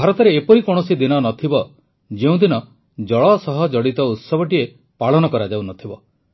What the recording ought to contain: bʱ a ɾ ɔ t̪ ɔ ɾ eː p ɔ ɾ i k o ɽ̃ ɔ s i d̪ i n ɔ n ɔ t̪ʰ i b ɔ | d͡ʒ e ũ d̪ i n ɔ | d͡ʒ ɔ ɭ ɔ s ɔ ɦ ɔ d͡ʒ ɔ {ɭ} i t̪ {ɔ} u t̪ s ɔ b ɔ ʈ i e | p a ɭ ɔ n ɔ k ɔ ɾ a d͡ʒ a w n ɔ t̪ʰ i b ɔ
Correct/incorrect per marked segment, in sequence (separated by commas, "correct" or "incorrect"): incorrect, correct